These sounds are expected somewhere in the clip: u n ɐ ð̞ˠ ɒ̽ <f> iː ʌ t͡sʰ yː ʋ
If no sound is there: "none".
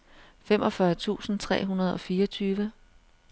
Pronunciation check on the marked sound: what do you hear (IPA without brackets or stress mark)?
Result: f